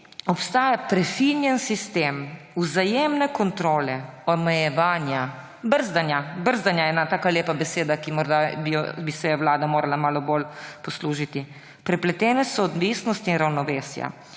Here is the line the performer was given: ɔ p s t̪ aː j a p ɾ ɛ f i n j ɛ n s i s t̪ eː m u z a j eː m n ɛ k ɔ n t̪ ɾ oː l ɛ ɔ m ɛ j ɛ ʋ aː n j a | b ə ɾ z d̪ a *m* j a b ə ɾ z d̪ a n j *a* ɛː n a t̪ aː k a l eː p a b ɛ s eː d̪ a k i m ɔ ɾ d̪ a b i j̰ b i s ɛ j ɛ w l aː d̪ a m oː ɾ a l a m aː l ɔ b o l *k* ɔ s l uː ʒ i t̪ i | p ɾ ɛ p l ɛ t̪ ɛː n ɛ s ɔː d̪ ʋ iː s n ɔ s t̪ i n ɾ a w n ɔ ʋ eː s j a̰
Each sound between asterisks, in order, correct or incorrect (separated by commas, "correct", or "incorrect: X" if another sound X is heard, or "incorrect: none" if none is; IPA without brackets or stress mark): incorrect: n, correct, incorrect: p